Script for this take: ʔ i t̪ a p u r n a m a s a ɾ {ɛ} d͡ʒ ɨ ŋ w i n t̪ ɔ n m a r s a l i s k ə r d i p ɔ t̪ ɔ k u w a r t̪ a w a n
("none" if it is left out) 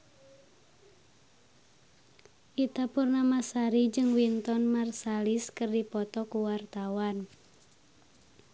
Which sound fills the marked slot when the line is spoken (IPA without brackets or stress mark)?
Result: i